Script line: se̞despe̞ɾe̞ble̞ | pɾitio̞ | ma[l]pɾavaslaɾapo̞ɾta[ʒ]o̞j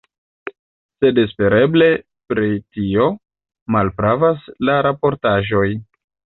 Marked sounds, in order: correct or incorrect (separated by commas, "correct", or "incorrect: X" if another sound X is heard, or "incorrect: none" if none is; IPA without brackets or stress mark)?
correct, correct